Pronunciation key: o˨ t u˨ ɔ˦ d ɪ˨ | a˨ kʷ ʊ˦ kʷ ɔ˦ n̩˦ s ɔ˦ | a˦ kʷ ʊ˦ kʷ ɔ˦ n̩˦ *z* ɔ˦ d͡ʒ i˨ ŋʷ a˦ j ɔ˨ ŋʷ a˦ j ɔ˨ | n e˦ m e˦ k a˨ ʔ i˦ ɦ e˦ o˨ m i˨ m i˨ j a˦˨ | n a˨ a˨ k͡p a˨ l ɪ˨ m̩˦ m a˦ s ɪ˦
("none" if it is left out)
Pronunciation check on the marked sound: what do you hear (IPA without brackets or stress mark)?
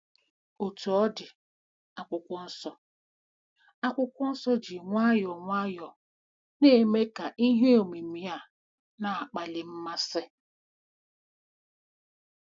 s